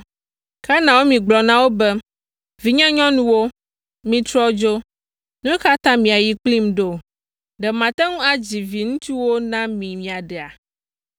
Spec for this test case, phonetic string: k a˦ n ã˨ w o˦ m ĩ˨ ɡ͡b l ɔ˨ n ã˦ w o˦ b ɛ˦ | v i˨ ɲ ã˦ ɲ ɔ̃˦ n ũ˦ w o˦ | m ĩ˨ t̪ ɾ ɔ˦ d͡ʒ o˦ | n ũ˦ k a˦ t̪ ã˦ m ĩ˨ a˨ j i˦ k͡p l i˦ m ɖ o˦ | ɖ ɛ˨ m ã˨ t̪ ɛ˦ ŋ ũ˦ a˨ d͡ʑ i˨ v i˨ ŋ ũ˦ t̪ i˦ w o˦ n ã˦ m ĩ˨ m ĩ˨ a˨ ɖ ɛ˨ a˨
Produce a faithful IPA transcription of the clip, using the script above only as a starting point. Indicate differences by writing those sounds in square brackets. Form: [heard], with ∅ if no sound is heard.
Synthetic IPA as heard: k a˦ n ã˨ w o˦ m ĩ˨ ɡ͡b l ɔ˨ n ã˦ w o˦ b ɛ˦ | v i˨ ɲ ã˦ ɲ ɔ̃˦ n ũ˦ w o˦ | m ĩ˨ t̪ ɾ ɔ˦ d͡ʒ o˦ | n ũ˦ k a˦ t̪ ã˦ m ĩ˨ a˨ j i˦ k͡p l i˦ m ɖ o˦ | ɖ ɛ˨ m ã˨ t̪ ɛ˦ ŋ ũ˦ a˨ d͡ʑ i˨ v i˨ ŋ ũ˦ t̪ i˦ w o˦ n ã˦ m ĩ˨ m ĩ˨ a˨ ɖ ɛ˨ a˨